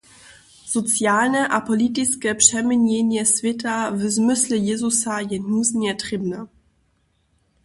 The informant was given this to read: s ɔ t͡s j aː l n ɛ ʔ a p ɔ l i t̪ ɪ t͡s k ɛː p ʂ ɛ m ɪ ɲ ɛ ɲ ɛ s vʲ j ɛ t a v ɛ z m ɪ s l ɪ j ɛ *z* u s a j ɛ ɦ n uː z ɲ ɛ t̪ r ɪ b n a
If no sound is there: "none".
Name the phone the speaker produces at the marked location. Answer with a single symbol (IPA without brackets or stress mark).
z